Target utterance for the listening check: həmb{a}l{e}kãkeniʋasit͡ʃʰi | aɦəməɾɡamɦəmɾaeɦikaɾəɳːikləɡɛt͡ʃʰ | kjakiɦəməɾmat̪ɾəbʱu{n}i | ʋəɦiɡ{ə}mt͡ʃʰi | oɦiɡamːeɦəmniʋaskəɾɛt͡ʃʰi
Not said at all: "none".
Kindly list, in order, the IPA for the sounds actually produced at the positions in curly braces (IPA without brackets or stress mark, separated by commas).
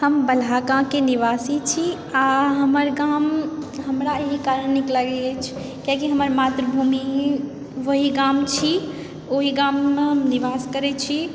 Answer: ə, a, m, a